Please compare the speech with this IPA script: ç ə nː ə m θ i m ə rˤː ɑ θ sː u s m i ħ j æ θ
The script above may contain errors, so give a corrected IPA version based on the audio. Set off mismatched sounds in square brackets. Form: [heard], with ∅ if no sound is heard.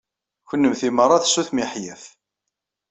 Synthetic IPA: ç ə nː ə m θ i m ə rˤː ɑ θ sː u [θ] m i ħ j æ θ